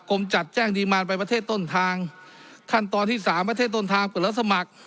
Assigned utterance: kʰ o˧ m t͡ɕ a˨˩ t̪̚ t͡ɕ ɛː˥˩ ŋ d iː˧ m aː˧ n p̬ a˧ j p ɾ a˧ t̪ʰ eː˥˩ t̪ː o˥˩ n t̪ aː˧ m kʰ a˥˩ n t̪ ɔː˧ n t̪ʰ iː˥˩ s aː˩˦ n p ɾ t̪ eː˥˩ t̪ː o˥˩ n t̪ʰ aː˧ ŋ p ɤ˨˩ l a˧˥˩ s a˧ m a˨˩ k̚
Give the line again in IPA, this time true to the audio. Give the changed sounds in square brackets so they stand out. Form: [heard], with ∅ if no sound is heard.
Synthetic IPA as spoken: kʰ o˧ m t͡ɕ a˨˩ t̪̚ t͡ɕ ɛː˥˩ ŋ d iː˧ m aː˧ n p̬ a˧ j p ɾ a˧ t̪ʰ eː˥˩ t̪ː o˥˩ n [t̪ʰ] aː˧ [ŋ] kʰ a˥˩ n t̪ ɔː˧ n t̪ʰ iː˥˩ s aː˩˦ [m] p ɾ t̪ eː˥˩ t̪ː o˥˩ n t̪ʰ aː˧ ŋ p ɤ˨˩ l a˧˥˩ s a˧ m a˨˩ k̚